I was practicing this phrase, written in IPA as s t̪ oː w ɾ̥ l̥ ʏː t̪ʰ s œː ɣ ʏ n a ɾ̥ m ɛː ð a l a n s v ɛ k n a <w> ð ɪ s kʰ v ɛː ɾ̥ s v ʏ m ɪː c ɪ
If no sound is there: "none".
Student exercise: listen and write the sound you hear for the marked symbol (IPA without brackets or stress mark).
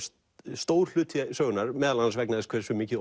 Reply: none